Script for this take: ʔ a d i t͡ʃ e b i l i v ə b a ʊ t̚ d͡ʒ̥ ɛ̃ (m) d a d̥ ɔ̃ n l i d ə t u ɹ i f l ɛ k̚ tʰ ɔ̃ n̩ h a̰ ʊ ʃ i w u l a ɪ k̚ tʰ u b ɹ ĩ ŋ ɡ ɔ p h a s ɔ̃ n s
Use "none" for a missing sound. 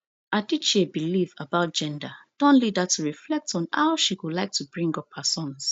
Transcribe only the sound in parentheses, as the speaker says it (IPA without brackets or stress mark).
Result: n